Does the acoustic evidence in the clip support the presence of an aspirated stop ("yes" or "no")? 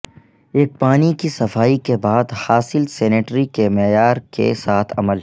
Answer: yes